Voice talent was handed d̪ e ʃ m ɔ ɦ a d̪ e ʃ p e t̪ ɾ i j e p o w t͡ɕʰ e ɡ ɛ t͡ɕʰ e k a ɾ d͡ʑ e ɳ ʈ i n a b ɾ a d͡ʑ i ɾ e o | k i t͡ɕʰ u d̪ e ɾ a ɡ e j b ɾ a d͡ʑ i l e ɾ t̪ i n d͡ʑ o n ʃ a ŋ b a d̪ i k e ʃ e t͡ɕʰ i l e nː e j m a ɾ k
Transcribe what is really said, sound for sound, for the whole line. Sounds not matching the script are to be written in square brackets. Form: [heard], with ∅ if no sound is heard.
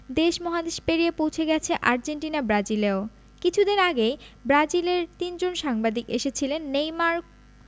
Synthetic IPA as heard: d̪ e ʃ m ɔ ɦ a d̪ e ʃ p e [∅] ɾ i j e p o w t͡ɕʰ e ɡ ɛ t͡ɕʰ e [ʔ] a ɾ d͡ʑ e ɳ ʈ i n a b ɾ a d͡ʑ i [l] e o | k i t͡ɕʰ u d̪ e ɾ a ɡ e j b ɾ a d͡ʑ i l e ɾ t̪ i n d͡ʑ o n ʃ a ŋ b a d̪ i k e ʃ e t͡ɕʰ i l e nː e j m a ɾ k